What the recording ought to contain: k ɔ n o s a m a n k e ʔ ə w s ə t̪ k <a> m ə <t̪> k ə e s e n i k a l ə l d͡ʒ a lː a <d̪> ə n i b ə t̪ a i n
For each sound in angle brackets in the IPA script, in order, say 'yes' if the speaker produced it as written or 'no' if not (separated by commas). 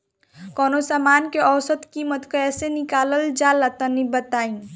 no, yes, no